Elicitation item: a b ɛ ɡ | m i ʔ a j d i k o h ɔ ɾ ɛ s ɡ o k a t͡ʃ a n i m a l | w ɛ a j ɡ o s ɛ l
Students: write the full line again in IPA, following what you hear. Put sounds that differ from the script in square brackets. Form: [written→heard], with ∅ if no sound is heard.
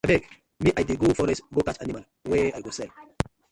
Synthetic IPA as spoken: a b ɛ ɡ | m i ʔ a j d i [k→ɡ] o [h→f] ɔ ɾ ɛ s ɡ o k a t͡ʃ a n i m a l | w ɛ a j ɡ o s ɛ l